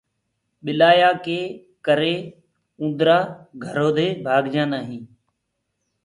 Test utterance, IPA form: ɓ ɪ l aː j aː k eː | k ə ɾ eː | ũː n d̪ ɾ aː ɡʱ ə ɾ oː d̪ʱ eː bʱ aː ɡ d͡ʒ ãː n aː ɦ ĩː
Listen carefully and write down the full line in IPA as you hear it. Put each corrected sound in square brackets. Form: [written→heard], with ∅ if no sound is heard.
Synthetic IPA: ɓ ɪ l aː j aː k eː | k ə ɾ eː | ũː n d̪ ɾ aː ɡʱ ə ɾ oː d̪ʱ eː bʱ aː ɡ d͡ʒ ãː n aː ɦ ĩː